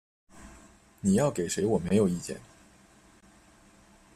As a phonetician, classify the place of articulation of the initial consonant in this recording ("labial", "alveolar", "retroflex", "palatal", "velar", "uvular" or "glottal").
alveolar